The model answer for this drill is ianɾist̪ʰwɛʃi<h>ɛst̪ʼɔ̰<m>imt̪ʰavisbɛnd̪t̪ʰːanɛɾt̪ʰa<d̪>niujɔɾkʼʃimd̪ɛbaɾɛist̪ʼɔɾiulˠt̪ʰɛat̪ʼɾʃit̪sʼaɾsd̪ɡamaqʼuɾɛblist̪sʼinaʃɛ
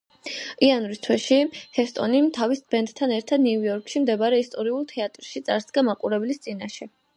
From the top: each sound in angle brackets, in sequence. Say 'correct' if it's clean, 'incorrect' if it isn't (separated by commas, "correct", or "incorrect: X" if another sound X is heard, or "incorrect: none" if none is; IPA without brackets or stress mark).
correct, incorrect: n, correct